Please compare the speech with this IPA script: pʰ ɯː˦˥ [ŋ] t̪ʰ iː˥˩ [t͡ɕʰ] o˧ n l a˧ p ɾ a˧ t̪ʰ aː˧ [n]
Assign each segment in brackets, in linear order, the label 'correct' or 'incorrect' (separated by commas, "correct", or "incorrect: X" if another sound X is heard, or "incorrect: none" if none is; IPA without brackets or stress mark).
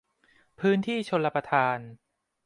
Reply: incorrect: n, correct, correct